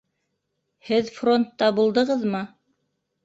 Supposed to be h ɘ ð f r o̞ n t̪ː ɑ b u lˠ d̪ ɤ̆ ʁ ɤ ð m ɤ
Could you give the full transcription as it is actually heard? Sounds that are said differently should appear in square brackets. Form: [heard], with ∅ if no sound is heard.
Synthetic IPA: h ɘ ð f r o̞ n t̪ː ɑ b u lˠ d̪ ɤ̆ ʁ ɤ ð m ɤ